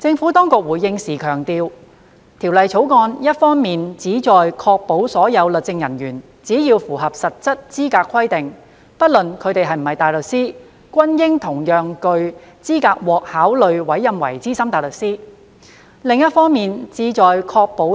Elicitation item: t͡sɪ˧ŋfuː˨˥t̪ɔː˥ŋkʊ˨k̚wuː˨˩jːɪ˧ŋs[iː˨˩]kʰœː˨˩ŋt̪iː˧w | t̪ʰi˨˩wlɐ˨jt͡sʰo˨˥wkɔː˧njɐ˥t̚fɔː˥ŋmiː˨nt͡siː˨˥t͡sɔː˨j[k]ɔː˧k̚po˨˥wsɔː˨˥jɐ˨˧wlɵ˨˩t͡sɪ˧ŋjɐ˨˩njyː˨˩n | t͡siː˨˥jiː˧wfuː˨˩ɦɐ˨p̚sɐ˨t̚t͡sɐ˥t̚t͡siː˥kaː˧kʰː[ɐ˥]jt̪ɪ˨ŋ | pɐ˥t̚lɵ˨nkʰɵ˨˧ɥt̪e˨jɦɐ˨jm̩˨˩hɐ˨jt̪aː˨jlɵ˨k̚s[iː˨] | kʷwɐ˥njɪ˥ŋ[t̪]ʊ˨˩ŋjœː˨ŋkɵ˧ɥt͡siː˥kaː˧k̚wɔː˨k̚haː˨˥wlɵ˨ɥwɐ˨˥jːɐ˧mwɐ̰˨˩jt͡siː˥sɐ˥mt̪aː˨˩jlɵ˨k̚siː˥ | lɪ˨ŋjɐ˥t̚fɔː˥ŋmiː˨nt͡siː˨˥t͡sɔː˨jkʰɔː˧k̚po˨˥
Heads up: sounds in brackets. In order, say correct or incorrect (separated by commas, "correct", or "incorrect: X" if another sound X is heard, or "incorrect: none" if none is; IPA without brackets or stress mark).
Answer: correct, incorrect: kʰ, correct, incorrect: iː˥, incorrect: t̪ʰ